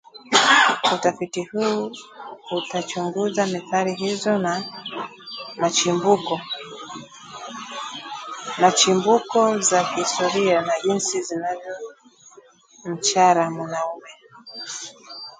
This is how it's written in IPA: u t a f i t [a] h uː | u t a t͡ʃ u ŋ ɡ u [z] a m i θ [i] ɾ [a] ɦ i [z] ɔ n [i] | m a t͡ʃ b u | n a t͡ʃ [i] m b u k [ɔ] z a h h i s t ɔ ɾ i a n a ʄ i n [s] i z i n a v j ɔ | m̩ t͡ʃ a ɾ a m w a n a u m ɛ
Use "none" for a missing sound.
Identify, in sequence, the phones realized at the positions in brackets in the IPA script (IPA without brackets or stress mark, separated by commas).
i, z, a, i, z, a, i, ɔ, s